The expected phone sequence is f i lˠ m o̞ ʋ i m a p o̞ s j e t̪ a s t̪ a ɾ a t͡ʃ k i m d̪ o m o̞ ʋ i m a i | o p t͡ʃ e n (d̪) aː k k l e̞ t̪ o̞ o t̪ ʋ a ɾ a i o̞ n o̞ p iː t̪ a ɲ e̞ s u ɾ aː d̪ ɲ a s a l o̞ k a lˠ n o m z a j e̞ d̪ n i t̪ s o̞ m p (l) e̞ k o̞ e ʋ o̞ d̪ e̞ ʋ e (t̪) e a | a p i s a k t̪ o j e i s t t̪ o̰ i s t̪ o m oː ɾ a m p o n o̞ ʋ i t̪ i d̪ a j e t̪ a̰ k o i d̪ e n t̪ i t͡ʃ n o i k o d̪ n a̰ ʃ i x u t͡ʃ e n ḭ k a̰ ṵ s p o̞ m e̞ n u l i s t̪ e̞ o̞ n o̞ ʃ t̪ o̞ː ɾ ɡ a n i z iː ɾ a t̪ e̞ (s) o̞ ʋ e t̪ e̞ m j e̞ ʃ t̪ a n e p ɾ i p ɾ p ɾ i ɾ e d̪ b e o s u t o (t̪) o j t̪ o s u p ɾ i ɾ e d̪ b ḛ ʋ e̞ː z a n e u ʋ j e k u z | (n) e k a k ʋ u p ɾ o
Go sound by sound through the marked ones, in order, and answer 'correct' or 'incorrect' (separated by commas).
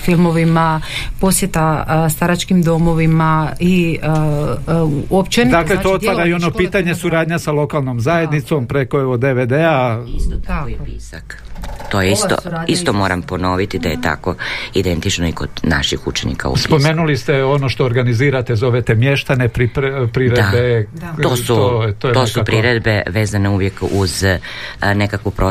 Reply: correct, incorrect, incorrect, incorrect, correct, correct